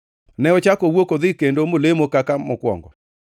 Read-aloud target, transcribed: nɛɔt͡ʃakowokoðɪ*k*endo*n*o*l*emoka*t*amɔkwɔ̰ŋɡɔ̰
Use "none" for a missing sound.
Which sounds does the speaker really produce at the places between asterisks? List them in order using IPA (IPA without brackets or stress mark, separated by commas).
k, m, l, k